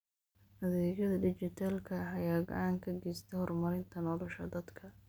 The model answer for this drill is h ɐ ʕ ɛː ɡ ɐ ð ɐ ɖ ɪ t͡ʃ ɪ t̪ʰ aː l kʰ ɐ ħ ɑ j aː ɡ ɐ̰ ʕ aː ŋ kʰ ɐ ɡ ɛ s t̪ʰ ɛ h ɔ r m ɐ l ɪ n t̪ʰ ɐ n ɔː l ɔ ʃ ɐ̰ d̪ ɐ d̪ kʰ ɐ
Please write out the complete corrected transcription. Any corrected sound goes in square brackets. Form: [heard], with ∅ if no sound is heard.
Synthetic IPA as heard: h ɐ [ð] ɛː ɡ ɐ ð ɐ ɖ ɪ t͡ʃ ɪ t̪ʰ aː l kʰ ɐ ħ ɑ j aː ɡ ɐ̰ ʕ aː ŋ kʰ ɐ ɡ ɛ s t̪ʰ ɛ h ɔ r m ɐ [ɾ] ɪ n t̪ʰ ɐ n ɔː l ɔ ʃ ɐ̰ d̪ ɐ d̪ kʰ ɐ